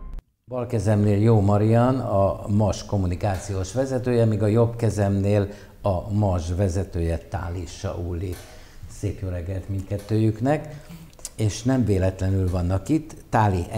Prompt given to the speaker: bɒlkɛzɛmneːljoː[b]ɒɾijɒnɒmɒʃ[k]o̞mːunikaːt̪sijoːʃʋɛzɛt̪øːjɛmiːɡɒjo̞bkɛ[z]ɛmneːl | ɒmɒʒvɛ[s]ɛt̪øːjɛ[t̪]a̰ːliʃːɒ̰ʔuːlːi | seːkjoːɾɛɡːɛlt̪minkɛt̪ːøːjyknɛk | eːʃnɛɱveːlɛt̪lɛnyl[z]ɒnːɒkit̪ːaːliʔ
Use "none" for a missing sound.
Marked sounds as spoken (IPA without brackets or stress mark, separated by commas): m, k, z, z, t̪, v